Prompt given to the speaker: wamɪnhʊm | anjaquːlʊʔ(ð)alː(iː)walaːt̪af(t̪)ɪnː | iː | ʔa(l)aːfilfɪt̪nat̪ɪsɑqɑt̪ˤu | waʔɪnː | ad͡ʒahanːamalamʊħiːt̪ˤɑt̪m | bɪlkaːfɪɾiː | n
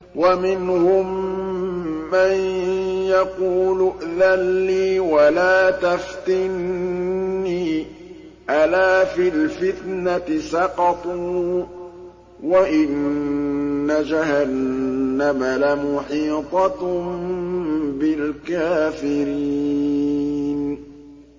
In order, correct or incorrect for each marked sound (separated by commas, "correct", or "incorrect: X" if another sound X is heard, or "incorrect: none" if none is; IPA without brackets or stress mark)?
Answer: correct, correct, correct, correct